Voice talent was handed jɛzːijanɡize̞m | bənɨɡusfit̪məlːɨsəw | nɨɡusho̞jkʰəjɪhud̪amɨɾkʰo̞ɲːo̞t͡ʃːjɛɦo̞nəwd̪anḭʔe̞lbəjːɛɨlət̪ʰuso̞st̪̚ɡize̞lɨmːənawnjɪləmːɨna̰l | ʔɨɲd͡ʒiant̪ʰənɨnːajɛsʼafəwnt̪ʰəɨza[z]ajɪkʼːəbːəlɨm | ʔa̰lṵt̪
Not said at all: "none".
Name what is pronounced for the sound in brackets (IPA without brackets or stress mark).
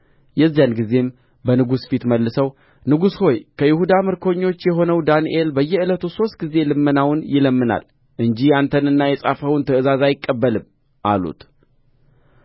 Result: z